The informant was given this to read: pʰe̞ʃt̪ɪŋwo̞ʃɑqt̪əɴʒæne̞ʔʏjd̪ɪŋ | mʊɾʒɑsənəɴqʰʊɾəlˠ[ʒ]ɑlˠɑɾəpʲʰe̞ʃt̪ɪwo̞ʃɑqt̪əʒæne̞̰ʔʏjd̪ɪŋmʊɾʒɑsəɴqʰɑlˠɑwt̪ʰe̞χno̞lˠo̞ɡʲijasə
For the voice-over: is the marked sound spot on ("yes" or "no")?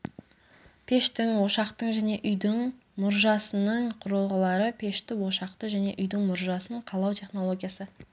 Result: no